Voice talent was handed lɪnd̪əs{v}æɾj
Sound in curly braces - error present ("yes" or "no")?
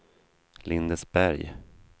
yes